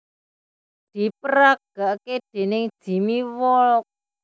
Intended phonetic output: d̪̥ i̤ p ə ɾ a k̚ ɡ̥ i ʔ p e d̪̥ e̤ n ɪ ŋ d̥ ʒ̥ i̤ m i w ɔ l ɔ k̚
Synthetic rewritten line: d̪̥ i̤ p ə ɾ a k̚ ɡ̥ a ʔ k e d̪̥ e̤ n ɪ ŋ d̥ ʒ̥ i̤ m i w ɔ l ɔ k̚